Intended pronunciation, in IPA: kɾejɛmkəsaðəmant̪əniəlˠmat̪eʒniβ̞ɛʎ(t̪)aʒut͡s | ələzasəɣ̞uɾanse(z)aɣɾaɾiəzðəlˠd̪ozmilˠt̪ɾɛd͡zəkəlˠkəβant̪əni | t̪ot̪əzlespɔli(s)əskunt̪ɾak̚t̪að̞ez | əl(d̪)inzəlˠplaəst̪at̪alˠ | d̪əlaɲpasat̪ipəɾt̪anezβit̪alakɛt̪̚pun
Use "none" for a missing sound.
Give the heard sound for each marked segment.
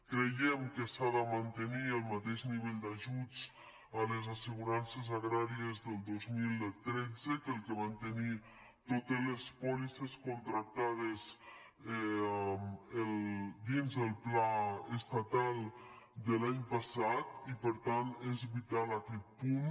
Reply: d̪, z, s, d̪

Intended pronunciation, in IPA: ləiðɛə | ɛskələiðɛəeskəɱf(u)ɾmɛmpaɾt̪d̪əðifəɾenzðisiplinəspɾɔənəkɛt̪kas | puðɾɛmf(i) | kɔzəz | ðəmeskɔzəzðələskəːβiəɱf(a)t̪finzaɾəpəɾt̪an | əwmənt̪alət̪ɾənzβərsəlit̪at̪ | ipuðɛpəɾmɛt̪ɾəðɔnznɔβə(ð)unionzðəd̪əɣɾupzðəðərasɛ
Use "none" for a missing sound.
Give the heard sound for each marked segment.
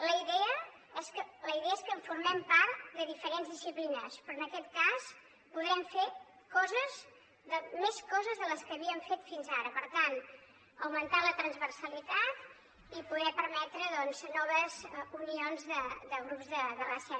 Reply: u, e, e, z

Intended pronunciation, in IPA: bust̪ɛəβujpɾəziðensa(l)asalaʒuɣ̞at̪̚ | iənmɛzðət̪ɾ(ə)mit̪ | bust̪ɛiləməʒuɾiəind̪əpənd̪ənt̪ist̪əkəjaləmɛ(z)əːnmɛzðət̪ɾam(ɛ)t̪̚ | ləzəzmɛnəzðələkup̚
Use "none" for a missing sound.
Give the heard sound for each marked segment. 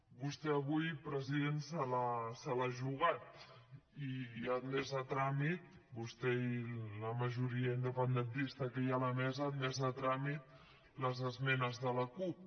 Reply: l, a, z, i

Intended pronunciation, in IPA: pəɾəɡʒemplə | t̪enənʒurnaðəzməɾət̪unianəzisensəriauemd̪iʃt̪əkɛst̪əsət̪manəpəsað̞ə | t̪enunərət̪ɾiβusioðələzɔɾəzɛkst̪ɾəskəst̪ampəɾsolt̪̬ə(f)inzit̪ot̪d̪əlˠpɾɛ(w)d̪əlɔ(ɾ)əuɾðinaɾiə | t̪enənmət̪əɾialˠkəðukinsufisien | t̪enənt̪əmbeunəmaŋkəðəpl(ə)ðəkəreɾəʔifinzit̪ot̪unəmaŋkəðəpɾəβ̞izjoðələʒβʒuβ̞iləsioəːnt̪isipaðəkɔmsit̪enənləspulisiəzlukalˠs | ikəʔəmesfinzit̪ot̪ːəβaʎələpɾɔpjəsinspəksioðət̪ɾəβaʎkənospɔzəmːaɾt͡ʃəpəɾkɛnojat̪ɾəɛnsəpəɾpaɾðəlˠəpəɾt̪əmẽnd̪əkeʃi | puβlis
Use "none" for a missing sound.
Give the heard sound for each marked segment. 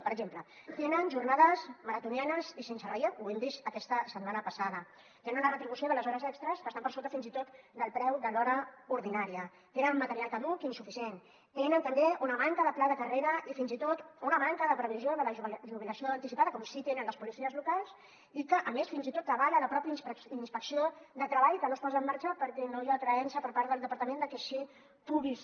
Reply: f, w, ɾ, a

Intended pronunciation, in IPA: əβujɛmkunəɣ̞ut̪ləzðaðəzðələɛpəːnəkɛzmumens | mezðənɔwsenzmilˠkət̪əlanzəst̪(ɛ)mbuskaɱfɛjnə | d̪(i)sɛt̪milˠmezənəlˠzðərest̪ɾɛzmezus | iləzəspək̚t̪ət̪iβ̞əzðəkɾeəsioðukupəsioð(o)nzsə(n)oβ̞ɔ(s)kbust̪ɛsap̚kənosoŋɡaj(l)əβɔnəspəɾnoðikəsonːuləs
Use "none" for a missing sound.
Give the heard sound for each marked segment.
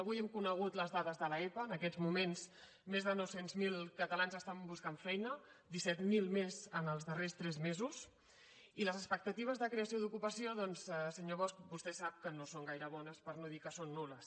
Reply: a, i, ɔ, ɲ, s, ɾ

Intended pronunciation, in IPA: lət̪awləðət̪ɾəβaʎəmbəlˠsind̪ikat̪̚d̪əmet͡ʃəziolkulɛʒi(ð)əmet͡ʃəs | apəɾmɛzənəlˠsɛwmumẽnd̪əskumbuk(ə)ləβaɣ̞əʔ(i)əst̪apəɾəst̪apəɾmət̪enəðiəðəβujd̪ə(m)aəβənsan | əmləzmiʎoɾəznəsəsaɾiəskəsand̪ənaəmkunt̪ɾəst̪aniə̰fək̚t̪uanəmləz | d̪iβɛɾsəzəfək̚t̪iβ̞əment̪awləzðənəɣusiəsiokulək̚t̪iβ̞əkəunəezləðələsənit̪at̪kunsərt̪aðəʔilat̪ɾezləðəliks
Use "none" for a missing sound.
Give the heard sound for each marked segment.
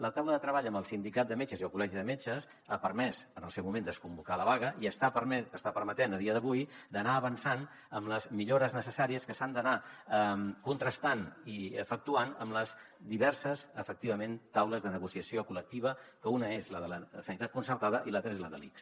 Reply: ð, a, i, n

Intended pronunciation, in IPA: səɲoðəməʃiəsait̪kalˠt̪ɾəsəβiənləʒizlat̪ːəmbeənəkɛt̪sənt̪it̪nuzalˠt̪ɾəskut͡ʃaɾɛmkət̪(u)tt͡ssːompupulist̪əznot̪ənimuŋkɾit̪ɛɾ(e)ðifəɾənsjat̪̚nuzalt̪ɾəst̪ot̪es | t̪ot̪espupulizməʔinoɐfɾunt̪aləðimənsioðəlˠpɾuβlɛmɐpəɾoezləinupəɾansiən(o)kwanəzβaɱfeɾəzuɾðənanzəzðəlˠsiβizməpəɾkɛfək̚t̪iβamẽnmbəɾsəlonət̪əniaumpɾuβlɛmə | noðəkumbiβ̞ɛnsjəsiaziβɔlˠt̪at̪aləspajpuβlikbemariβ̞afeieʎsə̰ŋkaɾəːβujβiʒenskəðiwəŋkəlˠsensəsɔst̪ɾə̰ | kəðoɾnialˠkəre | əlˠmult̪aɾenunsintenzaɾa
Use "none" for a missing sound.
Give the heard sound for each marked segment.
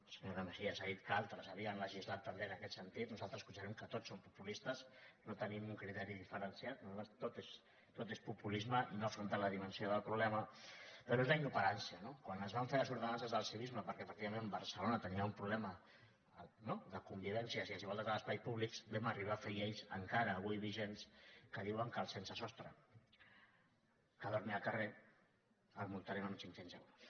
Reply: o, i, o

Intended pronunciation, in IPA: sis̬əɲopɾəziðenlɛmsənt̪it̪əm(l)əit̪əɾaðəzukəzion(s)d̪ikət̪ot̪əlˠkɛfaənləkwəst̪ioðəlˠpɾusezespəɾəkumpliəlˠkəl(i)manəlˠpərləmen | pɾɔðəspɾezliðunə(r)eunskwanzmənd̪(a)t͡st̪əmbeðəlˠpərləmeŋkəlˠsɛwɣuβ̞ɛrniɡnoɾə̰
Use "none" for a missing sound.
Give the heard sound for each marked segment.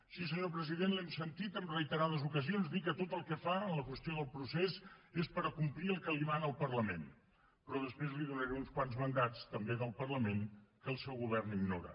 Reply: r, z, i, ɾ, a

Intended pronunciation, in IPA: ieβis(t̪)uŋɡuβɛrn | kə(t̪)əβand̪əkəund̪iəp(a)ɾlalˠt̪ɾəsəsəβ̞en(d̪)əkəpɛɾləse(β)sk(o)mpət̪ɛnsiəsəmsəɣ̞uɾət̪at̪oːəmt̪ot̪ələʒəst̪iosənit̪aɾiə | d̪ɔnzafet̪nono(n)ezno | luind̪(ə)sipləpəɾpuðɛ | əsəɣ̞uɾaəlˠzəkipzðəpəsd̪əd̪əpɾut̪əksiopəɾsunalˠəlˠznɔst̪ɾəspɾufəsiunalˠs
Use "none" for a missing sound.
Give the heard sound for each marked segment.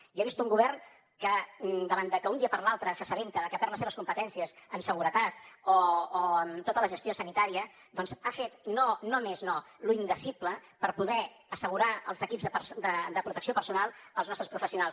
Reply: t̪, d̪, ə, t̪, β, u, m, ə

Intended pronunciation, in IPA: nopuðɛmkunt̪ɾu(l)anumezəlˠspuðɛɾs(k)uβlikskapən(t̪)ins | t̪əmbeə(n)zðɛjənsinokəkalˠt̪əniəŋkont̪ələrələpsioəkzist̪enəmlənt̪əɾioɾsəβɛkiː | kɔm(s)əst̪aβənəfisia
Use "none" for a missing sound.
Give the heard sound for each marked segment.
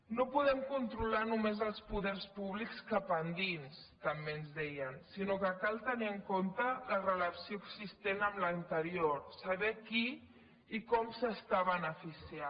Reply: l, p, d̪, n, s

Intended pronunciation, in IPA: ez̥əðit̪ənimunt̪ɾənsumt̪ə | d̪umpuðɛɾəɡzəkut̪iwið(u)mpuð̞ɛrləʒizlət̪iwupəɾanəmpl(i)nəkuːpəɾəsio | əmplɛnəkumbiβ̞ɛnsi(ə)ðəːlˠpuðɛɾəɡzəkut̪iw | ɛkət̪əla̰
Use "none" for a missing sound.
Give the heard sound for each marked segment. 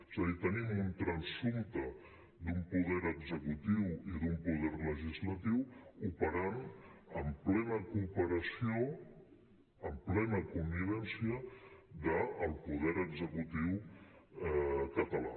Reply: u, ɛ, ə

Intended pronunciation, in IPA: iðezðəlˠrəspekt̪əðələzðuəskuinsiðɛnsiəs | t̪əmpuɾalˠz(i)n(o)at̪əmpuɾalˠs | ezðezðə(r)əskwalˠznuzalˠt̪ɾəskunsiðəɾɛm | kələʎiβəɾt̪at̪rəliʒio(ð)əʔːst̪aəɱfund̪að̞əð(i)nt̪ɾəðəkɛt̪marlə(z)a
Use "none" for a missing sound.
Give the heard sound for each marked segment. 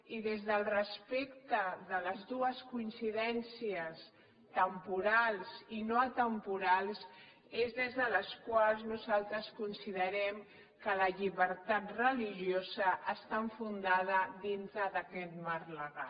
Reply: i, o, l, z, i, ɣ

